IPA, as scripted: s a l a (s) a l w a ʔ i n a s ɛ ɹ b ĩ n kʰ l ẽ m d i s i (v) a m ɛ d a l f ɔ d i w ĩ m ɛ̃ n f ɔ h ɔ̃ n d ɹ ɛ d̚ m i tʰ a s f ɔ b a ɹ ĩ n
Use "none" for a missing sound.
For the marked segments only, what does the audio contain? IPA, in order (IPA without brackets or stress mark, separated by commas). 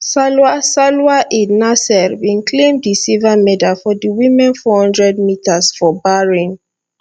s, v